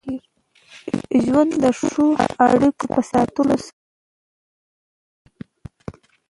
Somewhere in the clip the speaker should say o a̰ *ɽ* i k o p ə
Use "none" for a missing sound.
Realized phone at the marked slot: ɽ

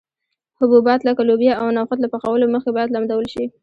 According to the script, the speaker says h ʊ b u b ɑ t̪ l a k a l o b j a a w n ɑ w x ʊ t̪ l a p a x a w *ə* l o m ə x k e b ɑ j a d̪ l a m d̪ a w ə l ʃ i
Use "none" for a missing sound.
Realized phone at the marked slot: ə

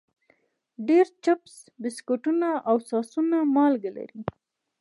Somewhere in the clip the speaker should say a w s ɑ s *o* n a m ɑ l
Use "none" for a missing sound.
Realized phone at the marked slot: u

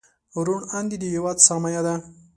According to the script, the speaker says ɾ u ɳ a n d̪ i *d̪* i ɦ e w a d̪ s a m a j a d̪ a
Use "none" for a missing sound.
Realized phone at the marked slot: d̪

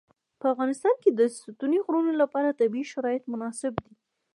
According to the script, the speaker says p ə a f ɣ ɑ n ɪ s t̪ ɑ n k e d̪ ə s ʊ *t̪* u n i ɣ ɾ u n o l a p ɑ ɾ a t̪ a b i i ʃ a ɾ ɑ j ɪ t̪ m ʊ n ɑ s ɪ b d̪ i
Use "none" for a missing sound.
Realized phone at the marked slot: t̪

